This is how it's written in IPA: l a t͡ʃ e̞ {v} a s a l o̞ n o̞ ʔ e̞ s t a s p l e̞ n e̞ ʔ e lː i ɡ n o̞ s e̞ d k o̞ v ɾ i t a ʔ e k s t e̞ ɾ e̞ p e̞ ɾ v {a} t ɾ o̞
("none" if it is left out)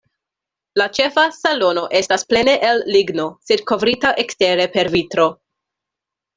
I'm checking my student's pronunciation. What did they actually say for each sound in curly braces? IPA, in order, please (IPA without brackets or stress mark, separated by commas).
f, i